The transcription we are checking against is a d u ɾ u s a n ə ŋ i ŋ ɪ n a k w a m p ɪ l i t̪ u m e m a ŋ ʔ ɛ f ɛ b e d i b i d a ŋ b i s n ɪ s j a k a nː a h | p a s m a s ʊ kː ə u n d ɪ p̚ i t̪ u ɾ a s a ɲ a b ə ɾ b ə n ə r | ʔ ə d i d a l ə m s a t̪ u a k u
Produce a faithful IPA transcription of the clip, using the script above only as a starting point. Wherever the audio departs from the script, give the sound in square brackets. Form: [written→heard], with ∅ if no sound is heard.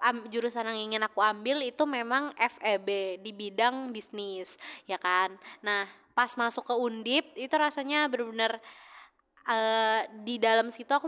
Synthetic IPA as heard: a [d→d͡ʒ] u ɾ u s a n [ə→a] ŋ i ŋ ɪ n a k [w→u] a m [p→b] ɪ l i t̪ u m e m a ŋ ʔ ɛ f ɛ b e d i b i d a ŋ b i s n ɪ s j a k a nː a h | p a s m a s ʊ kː ə u n d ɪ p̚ i t̪ u ɾ a s a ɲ a b ə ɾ b ə n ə r | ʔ ə d i d a l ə m s [a→i] t̪ u a k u